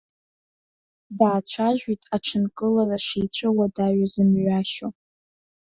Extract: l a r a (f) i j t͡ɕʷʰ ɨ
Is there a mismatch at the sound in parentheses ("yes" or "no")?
yes